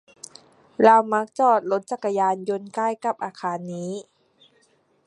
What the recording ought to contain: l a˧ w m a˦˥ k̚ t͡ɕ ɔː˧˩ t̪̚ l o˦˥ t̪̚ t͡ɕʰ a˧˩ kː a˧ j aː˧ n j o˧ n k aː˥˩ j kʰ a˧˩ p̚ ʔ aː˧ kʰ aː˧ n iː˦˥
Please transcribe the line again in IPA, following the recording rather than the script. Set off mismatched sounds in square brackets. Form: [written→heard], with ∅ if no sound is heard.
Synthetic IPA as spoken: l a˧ w m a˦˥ k̚ t͡ɕ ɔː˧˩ t̪̚ l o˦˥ t̪̚ [t͡ɕʰ→t͡ɕ] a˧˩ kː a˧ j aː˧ n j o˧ n k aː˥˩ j [kʰ→k] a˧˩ p̚ ʔ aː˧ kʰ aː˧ [n→nː] iː˦˥